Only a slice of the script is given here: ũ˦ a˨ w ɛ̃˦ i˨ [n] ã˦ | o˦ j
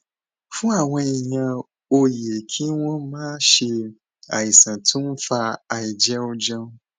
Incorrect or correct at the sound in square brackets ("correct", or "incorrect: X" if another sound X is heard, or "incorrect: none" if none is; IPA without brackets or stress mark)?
incorrect: ɲ